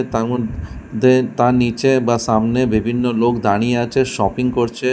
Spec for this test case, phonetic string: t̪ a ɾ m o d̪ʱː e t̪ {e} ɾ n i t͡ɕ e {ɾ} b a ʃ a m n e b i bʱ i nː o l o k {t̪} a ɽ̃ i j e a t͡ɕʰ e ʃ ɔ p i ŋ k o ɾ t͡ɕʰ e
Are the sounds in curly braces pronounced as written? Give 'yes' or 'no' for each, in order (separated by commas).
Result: no, no, no